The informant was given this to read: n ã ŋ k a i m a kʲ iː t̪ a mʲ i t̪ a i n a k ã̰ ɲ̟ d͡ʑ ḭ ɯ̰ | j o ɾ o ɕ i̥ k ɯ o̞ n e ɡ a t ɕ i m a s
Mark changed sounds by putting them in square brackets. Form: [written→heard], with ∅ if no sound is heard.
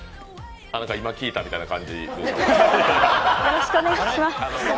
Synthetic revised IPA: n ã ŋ k a i m a kʲ iː t̪ a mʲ i t̪ a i n a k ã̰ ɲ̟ d͡ʑ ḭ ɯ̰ | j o ɾ o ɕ i̥ k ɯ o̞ n e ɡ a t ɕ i m a s

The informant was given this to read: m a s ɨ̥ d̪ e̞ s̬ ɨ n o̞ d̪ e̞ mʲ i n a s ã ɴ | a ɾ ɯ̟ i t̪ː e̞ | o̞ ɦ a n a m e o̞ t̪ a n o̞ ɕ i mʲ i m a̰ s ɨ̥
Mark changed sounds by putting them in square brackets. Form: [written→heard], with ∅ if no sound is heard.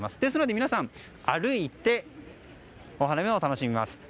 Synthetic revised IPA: m a s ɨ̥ d̪ e̞ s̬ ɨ n o̞ d̪ e̞ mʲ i n a s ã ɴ | a ɾ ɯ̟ i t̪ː e̞ | o̞ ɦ a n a m e o̞ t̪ a n o̞ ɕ i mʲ i m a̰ s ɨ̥

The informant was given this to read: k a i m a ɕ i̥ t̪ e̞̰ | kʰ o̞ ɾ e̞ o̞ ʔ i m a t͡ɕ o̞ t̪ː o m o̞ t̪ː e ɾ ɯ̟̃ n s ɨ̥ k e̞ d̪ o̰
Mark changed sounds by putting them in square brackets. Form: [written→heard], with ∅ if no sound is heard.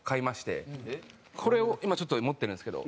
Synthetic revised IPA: k a i m a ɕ i̥ t̪ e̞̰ | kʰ o̞ ɾ e̞ o̞ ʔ i m a t͡ɕ o̞ t̪ː o m o̞ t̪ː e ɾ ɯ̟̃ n s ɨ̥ k e̞ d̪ o̰

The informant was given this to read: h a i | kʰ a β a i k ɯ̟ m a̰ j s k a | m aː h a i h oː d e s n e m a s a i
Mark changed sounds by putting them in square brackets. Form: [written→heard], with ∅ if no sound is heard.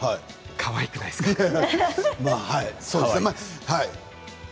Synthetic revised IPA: h a i | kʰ a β a i k ɯ̟ [m→n] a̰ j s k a | m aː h a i [h→s] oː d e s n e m a [s→h] a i

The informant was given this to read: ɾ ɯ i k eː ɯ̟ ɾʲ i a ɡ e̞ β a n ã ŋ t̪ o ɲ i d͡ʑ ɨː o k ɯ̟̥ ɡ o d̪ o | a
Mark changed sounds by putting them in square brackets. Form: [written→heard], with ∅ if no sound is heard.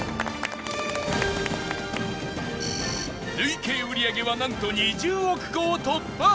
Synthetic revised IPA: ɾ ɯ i k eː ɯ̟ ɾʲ i a ɡ e̞ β a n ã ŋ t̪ o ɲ i d͡ʑ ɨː o k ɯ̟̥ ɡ o [d̪→t̪] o | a

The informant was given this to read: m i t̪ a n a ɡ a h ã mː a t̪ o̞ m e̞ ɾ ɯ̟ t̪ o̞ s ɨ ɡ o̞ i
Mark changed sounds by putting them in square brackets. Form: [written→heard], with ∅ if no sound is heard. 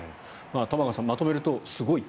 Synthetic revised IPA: m [i→a] t̪ a [n→m] a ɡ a [h→s] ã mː a t̪ o̞ m e̞ ɾ ɯ̟ t̪ o̞ s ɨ ɡ o̞ i

